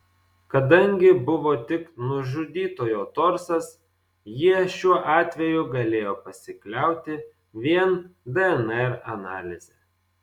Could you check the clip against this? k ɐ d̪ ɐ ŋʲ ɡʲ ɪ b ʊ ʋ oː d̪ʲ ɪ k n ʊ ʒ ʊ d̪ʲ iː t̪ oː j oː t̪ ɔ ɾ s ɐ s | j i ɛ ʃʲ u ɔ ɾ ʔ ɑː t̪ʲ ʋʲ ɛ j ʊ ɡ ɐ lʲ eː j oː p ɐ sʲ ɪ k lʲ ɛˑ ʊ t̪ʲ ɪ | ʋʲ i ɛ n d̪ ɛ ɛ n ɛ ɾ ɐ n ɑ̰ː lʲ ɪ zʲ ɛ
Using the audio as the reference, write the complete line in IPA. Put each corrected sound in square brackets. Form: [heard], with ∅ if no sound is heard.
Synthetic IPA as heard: k ɐ d̪ ɐ ŋʲ ɡʲ ɪ b ʊ ʋ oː [t̪ʲ] ɪ k n ʊ ʒ ʊ d̪ʲ iː t̪ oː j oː t̪ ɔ ɾ s ɐ s | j i ɛ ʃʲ u ɔ [∅] ʔ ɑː t̪ʲ ʋʲ ɛ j ʊ ɡ ɐ lʲ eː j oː p ɐ sʲ ɪ k lʲ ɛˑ ʊ t̪ʲ ɪ | ʋʲ i ɛ n d̪ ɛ ɛ n ɛ ɾ ɐ n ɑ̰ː lʲ ɪ zʲ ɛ

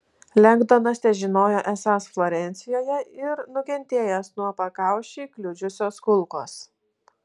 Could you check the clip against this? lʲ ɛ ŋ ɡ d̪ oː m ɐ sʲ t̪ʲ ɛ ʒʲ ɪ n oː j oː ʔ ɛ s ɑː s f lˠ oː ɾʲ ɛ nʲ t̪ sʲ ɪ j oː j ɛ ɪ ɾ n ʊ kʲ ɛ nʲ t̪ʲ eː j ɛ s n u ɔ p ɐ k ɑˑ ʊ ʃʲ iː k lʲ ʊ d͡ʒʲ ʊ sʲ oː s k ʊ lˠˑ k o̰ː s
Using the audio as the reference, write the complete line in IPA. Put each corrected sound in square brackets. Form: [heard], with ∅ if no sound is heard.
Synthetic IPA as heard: lʲ ɛ ŋ ɡ d̪ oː [n] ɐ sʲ t̪ʲ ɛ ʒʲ ɪ n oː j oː ʔ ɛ s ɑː s f lˠ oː ɾʲ ɛ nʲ t̪ sʲ ɪ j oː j ɛ ɪ ɾ n ʊ kʲ ɛ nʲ t̪ʲ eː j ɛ s n u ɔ p ɐ k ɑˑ ʊ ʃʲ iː k lʲ ʊ d͡ʒʲ ʊ sʲ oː s k ʊ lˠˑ k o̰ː s

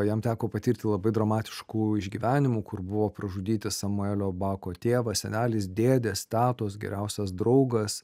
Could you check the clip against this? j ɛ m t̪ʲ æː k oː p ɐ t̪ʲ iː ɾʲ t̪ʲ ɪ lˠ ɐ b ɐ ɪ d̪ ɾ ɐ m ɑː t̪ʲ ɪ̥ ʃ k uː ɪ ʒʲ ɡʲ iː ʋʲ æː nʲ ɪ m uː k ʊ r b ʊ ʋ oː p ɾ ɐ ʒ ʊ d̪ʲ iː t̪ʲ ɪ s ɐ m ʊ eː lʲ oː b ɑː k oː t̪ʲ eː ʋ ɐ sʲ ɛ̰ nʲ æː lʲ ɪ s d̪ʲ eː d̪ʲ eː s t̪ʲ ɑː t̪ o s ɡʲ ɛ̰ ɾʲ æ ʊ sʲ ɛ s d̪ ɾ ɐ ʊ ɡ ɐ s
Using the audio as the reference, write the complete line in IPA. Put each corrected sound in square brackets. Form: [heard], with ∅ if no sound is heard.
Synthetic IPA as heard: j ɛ m t̪ʲ æː k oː p ɐ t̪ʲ iː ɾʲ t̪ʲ ɪ lˠ ɐ b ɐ ɪ d̪ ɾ ɐ m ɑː t̪ʲ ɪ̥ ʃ k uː ɪ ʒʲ ɡʲ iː ʋʲ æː nʲ ɪ m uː k ʊ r b ʊ ʋ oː p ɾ ɐ ʒ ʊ d̪ʲ iː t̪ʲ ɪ s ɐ m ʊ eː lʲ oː b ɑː k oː t̪ʲ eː ʋ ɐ sʲ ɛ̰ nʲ æː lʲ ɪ s d̪ʲ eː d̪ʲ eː s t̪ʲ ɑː t̪ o s ɡʲ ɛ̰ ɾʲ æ ʊ sʲ ɛ s d̪ ɾ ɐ ʊ ɡ ɐ s

